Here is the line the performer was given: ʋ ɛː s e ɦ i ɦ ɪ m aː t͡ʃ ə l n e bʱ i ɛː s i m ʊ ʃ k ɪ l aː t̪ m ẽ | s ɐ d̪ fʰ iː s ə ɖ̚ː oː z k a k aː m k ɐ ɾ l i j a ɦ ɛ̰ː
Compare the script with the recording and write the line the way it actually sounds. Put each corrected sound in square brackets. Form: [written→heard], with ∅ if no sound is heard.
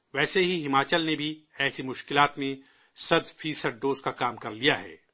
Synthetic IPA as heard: ʋ ɛː s e ɦ i ɦ ɪ m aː t͡ʃ ə l n e bʱ i ɛː s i m ʊ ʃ k ɪ l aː t̪ m ẽ | s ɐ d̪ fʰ iː s ə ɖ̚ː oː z k a k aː m k ɐ ɾ l i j a ɦ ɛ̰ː